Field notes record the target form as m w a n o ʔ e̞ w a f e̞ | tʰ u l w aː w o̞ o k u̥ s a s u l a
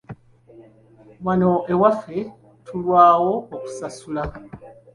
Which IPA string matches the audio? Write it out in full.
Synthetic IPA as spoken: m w a n o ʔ e̞ w a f e̞ | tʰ u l w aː w o̞ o k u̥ s a s u l a